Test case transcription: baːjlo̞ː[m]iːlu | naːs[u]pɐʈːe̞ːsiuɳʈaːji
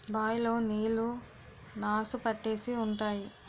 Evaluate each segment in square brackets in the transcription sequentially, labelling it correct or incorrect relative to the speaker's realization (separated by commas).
incorrect, correct